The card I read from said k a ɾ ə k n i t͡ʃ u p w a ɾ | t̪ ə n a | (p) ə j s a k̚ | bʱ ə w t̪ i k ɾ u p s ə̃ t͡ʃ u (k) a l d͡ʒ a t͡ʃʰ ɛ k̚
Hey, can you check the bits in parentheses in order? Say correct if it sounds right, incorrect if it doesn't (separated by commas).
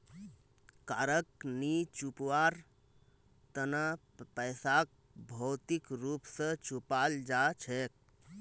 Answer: correct, incorrect